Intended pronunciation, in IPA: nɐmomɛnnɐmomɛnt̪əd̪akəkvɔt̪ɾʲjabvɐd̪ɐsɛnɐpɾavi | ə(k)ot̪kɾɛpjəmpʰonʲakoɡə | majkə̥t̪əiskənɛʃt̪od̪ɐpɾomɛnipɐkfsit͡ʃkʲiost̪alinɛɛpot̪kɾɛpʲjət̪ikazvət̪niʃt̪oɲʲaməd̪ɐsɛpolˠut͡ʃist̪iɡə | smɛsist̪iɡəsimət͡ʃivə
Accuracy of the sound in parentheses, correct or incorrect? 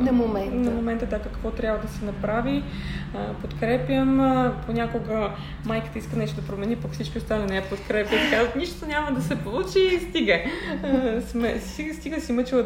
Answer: incorrect